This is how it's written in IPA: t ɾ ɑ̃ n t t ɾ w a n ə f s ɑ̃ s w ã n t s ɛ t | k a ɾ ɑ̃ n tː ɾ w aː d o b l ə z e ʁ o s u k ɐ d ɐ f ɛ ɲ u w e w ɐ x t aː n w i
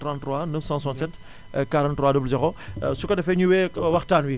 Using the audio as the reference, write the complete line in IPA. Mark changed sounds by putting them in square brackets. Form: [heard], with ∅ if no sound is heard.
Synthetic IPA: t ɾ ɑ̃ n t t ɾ w a n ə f s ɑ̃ s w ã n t s ɛ t | k a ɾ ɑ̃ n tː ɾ w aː d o b l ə z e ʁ o s u k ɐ d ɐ f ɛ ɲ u w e w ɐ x t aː n w i